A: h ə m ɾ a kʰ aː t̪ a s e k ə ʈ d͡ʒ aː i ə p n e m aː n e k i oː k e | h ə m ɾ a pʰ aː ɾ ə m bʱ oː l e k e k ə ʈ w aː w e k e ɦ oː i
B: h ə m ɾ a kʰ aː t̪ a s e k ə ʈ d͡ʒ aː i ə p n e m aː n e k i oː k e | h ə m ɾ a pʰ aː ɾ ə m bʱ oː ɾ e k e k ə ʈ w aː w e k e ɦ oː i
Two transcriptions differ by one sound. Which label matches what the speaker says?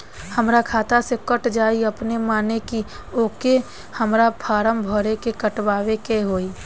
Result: B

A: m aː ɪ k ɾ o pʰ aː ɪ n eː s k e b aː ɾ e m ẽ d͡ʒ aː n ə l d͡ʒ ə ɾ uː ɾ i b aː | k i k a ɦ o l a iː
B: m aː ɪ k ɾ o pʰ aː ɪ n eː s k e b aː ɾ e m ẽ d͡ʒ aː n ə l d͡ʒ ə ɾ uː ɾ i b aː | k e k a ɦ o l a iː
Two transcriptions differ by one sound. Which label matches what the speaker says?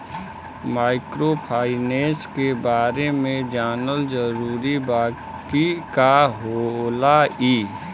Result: A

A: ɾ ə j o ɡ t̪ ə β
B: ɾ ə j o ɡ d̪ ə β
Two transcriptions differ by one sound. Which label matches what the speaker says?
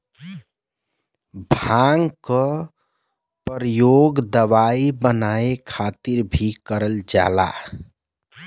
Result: B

